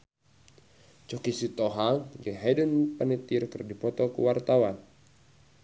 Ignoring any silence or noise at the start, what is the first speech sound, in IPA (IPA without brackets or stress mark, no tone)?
t͡ʃ